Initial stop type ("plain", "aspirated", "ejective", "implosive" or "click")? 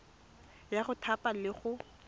aspirated